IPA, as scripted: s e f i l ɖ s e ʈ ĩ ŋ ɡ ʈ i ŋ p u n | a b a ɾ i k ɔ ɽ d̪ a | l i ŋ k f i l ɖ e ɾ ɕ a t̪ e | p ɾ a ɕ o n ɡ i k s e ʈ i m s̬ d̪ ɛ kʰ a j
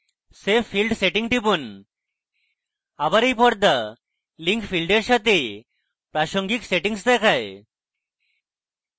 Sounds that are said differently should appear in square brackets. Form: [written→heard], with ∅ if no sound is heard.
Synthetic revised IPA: s e f i l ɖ s e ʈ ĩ ŋ ɡ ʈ i [ŋ→∅] p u n | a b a ɾ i [k→p] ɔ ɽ d̪ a | l i ŋ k f i l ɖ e ɾ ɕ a t̪ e | p ɾ a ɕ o [n→ŋ] ɡ i k s e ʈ i [m→ŋ] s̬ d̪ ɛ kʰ a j